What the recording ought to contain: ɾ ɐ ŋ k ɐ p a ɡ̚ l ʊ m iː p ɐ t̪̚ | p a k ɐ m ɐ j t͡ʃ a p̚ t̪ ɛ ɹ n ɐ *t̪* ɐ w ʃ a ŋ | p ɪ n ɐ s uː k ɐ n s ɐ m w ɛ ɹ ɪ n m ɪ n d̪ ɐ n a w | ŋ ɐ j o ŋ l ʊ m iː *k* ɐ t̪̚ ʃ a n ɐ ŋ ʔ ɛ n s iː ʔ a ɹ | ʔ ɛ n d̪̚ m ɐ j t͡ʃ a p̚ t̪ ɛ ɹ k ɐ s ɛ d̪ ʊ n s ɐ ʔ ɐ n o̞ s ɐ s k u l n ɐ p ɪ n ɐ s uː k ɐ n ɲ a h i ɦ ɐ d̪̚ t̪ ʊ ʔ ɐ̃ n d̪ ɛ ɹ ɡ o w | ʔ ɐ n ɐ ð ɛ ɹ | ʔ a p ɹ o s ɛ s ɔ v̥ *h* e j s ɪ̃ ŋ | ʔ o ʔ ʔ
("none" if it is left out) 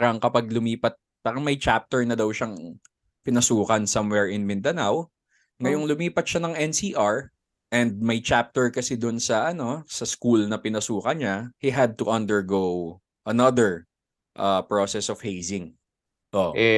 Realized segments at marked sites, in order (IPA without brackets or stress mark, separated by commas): d̪, p, h